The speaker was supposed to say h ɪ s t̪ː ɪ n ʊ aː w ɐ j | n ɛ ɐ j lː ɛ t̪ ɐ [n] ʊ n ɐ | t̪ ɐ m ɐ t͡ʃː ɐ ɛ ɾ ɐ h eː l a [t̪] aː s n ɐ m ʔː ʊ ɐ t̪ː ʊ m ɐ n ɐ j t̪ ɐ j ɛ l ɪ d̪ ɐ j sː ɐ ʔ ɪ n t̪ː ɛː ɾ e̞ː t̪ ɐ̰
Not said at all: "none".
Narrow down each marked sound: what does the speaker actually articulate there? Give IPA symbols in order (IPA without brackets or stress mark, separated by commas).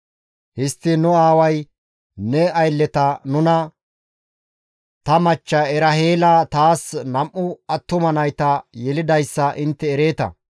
n, t̪